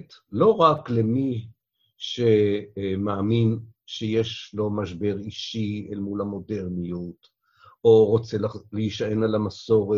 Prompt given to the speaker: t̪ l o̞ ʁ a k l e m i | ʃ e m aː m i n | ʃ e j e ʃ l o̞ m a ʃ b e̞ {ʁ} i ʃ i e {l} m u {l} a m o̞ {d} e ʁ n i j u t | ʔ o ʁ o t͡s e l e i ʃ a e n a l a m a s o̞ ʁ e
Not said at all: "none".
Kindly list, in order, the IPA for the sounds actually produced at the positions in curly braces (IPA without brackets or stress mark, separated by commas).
ʁ, l, l, d